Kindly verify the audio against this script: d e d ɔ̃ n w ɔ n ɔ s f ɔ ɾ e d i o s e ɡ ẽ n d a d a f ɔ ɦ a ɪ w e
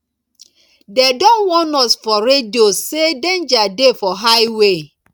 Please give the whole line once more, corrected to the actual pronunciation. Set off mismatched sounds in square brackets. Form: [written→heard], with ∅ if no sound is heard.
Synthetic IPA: d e d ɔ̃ n w ɔ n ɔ s f ɔ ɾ e d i o s e [ɡ→d] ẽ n [d→d͡ʒ] a d [a→e] f ɔ ɦ a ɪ w e